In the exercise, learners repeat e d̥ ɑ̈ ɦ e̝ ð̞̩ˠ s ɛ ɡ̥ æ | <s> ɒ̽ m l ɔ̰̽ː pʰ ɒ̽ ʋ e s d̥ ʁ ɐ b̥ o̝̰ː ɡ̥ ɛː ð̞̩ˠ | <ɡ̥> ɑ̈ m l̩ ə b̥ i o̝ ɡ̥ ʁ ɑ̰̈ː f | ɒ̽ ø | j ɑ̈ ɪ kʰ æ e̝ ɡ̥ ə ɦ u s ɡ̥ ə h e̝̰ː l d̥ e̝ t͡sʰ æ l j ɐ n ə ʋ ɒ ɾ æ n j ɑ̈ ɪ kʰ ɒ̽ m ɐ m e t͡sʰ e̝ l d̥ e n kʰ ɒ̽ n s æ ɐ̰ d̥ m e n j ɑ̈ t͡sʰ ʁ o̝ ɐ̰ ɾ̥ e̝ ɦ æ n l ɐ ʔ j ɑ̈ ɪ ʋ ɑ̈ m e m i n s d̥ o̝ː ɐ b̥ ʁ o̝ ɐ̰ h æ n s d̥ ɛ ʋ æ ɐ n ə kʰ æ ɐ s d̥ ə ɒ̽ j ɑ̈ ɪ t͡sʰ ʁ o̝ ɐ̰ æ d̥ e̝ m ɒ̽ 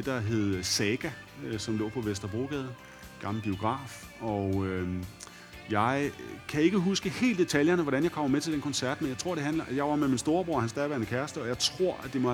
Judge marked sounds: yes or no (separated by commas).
yes, yes